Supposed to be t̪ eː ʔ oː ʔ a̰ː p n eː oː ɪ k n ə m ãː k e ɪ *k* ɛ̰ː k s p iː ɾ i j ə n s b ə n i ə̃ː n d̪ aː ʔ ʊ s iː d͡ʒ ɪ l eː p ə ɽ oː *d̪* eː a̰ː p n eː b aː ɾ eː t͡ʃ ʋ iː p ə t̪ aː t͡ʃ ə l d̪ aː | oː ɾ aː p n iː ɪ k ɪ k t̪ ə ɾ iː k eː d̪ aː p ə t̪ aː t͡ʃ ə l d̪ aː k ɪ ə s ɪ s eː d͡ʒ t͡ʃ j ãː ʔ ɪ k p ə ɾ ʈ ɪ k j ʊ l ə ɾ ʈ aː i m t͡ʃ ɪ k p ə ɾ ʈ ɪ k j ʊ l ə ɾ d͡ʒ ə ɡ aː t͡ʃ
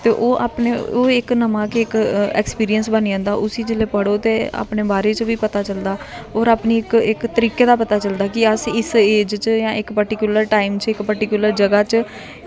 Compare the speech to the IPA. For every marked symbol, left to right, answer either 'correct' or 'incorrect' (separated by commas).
correct, incorrect